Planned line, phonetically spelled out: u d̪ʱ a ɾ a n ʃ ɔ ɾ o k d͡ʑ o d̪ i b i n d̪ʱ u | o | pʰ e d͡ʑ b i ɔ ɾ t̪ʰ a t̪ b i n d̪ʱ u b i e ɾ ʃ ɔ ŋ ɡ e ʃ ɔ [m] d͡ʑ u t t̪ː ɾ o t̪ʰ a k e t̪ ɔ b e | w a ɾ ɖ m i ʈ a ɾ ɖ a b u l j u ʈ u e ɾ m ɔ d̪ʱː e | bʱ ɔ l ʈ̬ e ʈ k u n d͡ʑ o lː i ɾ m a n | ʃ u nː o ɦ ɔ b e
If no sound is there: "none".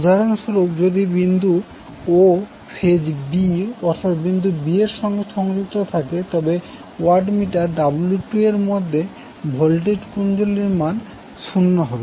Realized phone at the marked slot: ŋ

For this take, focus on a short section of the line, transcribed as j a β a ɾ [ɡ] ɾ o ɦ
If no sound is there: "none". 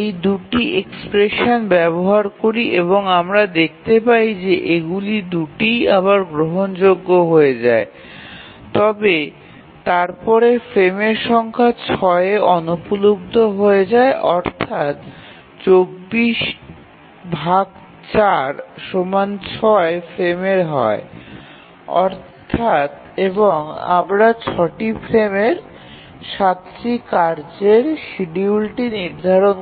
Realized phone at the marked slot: ɡ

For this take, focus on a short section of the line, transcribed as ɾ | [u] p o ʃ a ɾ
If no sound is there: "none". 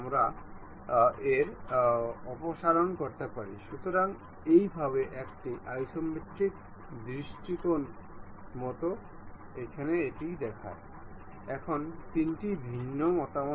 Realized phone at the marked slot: ɔ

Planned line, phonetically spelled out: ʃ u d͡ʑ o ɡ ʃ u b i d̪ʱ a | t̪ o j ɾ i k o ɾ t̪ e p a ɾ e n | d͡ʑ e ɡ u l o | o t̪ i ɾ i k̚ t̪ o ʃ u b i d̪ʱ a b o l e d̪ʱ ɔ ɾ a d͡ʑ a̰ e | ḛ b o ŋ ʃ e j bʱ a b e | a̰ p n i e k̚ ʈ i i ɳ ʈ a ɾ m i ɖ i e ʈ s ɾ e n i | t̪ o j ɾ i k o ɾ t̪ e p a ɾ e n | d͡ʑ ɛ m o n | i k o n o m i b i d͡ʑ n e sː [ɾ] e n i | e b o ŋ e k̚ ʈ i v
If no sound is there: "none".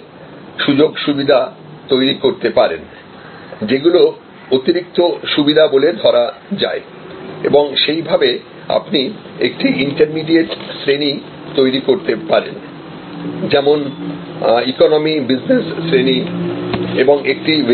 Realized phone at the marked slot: ɾ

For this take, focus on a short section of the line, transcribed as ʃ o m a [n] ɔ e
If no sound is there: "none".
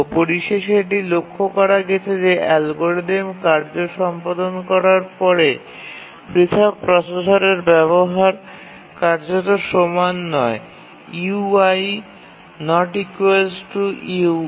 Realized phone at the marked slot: nː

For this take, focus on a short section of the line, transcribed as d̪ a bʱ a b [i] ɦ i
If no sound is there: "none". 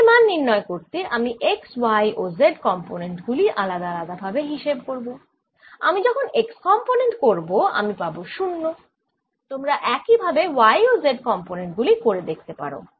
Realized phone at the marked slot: e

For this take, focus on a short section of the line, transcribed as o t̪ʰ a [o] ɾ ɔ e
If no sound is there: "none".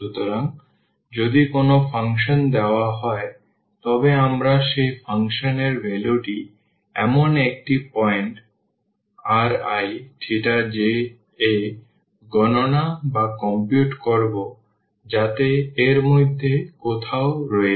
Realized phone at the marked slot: o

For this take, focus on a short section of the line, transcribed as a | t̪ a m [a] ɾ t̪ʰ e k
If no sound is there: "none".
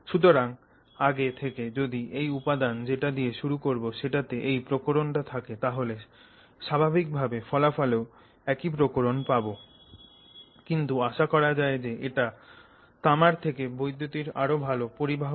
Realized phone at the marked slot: a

